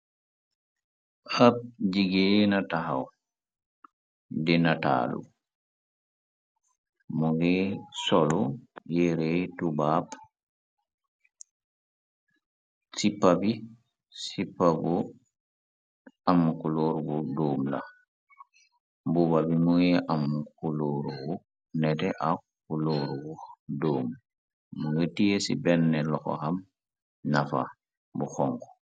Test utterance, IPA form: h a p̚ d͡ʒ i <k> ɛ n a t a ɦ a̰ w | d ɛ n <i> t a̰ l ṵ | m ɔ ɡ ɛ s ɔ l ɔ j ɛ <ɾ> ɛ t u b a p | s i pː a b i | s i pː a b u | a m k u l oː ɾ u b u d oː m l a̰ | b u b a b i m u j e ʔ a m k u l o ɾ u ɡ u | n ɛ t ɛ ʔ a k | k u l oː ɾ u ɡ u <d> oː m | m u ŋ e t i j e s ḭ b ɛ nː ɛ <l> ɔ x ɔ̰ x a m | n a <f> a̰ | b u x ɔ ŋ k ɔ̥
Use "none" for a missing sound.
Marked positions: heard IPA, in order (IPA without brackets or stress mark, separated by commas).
ɡ, a, ɾ, d, l, f